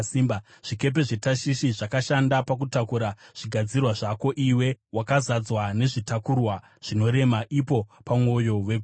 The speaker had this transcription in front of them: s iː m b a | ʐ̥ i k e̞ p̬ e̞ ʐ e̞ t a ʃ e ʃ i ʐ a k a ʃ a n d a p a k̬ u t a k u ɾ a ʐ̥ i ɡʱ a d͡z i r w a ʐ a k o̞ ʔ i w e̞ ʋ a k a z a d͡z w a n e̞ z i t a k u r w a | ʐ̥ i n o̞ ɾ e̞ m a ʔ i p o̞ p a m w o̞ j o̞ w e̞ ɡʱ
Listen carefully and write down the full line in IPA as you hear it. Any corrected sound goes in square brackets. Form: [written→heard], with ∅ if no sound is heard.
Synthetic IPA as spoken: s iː m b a | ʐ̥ i k e̞ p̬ e̞ ʐ e̞ t a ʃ [e→i] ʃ i ʐ a k a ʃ a n d a p a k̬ u t a k u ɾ a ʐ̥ i ɡʱ a d͡z i r w a ʐ a k o̞ ʔ i w e̞ [ʋ→w] a k a z a d͡z w a n e̞ [z→ʐ] i t a k u r w a | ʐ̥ i n o̞ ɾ e̞ m a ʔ i p o̞ p a m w o̞ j o̞ w e̞ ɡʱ